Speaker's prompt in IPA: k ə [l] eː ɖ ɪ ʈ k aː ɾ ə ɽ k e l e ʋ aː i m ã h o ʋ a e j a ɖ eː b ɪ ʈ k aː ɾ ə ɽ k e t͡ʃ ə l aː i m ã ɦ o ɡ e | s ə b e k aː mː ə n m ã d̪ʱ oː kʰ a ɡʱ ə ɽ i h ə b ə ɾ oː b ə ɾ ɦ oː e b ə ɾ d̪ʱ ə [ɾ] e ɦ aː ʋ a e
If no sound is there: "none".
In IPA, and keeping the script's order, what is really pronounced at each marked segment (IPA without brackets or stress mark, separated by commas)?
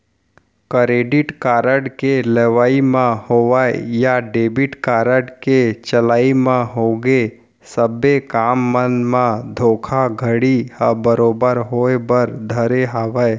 ɾ, ɾ